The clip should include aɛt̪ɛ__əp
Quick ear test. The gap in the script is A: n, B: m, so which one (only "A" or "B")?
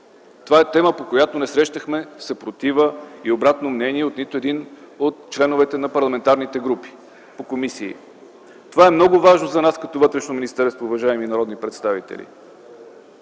B